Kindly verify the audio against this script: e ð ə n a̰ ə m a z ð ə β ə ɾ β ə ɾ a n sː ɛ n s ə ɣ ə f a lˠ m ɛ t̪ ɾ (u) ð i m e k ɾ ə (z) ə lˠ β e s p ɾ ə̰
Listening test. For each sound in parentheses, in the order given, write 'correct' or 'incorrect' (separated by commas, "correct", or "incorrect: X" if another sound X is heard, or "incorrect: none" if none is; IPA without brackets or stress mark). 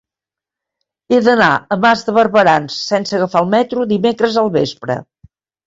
correct, correct